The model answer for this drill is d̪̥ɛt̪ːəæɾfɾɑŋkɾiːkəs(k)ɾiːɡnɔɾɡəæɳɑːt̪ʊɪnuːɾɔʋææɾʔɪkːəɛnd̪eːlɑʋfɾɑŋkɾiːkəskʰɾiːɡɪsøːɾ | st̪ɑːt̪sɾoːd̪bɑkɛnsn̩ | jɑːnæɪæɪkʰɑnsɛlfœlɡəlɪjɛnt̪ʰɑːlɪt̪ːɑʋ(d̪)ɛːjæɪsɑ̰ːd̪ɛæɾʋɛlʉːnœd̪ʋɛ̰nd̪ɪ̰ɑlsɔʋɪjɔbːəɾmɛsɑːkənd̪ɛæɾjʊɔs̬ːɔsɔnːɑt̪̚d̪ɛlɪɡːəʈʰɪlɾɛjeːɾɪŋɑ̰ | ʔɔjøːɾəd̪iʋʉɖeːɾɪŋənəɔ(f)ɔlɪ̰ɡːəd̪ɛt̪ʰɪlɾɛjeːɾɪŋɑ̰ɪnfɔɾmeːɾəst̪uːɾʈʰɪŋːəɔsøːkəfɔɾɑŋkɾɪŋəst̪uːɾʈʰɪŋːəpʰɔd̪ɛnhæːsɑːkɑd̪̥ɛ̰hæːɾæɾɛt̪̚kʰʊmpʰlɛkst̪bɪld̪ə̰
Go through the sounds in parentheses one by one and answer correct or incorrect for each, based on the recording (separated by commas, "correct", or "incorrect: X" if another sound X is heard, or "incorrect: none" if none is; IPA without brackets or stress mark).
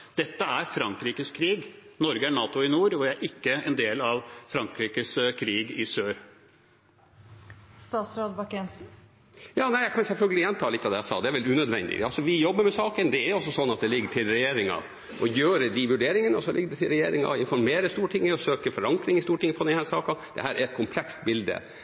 incorrect: kʰ, correct, incorrect: s